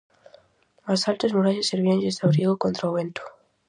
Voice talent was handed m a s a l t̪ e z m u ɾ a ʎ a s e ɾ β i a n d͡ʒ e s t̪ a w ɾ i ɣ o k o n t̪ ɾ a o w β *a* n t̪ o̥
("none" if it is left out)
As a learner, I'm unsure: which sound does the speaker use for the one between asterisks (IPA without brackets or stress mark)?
e